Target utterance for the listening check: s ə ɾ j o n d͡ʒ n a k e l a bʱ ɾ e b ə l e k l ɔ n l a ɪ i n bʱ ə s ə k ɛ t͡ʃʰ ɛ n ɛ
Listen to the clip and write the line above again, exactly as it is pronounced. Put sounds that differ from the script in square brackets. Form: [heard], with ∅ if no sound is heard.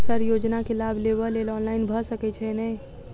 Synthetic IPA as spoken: s ə ɾ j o [∅] d͡ʒ n a k e l a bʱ [l] e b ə l e [∅] l ɔ n l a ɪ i n bʱ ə s ə k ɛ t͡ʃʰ ɛ n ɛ